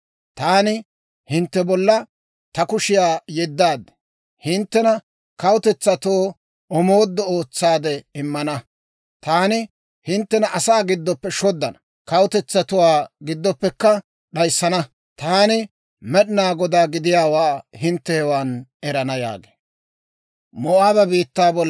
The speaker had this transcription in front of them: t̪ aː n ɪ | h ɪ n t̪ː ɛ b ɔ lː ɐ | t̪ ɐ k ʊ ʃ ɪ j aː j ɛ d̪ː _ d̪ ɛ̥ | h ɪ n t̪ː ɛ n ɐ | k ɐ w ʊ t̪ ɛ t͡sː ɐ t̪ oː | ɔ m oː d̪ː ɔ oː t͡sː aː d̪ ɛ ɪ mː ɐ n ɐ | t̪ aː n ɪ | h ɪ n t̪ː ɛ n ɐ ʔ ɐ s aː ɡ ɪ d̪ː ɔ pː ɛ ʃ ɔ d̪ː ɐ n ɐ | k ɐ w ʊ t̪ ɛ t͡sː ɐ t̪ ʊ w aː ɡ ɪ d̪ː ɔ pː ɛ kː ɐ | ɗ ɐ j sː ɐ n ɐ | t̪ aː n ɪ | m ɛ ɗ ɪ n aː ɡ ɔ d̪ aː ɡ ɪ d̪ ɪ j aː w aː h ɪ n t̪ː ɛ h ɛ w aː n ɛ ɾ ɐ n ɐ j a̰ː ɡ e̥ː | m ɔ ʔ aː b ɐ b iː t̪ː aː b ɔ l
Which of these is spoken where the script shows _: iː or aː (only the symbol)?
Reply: aː